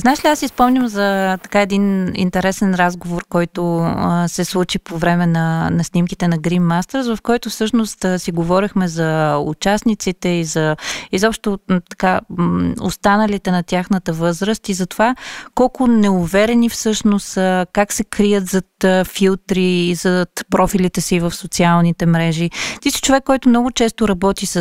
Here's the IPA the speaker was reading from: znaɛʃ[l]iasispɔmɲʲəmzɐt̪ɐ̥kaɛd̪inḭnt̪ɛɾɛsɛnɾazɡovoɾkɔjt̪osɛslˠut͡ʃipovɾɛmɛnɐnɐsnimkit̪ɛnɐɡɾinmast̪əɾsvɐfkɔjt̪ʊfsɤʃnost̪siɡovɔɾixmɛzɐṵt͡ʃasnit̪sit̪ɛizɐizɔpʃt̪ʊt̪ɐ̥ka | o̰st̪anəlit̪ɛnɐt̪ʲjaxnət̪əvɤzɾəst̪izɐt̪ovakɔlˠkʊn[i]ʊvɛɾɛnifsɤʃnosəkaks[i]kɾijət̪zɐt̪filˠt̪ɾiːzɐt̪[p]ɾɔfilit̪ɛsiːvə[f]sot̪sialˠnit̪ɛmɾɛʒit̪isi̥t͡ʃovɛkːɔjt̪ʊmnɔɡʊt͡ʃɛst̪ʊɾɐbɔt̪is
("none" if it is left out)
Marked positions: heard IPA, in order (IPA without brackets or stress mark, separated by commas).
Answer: l, ɛ, ɛ, p, f